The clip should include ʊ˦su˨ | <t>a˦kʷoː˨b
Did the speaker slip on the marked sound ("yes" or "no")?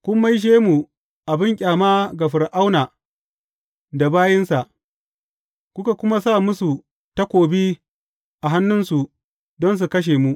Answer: no